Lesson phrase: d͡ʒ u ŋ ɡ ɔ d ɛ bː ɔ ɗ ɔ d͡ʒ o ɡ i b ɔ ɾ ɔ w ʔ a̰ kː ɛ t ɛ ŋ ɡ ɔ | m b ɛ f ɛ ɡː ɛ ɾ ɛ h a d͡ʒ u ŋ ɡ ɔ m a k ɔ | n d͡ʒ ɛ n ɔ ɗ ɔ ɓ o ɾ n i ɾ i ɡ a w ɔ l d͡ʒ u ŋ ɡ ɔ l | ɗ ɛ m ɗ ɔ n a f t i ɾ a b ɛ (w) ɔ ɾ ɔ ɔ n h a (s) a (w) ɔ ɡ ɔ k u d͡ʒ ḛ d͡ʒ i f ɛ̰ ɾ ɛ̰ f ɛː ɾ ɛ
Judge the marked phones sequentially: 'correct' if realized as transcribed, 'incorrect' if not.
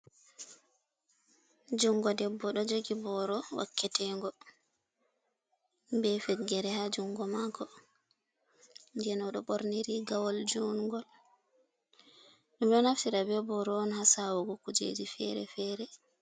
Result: incorrect, correct, correct

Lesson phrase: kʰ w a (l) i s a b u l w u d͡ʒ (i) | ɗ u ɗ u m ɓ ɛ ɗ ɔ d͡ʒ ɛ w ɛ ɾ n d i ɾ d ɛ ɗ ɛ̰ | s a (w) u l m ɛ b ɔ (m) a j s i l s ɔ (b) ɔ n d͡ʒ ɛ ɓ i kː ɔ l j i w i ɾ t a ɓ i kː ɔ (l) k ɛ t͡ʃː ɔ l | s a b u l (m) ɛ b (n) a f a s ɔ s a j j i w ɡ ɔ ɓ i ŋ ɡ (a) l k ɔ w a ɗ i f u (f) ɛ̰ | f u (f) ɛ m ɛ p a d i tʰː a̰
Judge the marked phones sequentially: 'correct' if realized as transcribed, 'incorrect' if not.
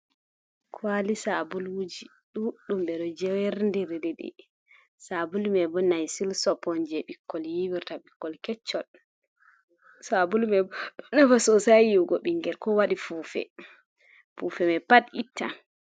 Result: correct, correct, incorrect, incorrect, incorrect, correct, correct, correct, incorrect, correct, correct

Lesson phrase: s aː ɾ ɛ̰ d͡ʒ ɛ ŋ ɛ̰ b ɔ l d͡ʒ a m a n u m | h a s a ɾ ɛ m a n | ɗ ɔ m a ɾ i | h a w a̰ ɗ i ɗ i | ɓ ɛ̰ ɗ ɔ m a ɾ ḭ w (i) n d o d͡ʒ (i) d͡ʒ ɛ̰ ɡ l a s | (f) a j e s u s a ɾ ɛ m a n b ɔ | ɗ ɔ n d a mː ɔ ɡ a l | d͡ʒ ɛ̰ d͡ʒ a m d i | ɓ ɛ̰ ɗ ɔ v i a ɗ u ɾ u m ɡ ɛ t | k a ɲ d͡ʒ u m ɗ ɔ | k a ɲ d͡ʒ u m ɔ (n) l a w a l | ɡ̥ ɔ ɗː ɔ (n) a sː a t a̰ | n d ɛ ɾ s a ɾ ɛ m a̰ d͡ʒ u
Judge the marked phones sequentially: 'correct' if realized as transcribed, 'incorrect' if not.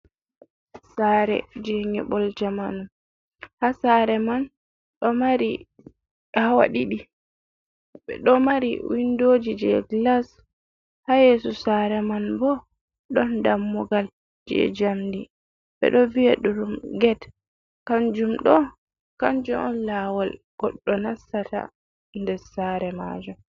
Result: correct, correct, incorrect, correct, correct

